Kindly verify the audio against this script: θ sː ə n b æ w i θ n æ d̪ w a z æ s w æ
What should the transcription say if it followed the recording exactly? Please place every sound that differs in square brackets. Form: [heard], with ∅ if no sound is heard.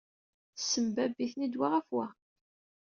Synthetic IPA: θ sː ə [m] b æ [b] i θ n [i] d̪ w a [ʁ] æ [f] w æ